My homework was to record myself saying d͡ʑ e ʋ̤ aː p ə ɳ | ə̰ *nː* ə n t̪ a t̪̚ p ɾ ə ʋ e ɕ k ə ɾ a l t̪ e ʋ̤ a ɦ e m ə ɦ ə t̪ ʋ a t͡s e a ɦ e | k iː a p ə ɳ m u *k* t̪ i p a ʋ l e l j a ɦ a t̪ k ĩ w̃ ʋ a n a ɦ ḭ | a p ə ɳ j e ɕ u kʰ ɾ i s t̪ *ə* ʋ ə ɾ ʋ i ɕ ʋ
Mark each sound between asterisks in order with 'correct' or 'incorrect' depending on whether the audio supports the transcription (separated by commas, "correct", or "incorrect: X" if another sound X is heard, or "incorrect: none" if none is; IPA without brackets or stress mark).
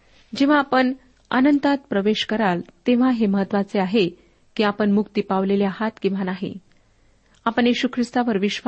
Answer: incorrect: n, correct, incorrect: a